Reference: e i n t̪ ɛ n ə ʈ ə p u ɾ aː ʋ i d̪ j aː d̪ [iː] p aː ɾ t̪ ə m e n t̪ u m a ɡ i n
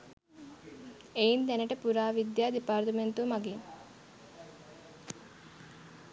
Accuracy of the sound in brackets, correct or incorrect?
incorrect